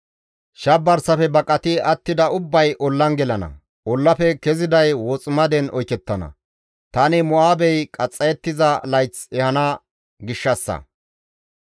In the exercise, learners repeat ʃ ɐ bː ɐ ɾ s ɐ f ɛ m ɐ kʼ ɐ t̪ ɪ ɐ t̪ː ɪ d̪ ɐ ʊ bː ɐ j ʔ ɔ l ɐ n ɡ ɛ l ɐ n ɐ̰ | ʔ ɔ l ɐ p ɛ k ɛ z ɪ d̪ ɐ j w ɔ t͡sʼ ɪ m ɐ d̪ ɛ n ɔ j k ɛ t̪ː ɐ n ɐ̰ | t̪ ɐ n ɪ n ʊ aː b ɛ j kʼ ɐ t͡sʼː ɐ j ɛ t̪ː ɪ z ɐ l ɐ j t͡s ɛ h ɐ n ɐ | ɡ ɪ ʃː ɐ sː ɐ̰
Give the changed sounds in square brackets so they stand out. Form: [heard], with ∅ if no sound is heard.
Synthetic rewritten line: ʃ ɐ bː ɐ ɾ s ɐ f ɛ [b] ɐ kʼ ɐ t̪ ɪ ɐ t̪ː ɪ d̪ ɐ ʊ bː ɐ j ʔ ɔ [lː] ɐ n ɡ ɛ l ɐ n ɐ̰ | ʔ ɔ [lː] ɐ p ɛ k ɛ z ɪ d̪ ɐ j w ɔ t͡sʼ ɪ m ɐ d̪ ɛ n ɔ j k ɛ t̪ː ɐ n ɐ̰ | t̪ ɐ n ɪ [m] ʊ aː b ɛ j kʼ ɐ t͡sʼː ɐ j ɛ t̪ː ɪ z ɐ l ɐ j t͡s ɛ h ɐ n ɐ | ɡ ɪ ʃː ɐ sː ɐ̰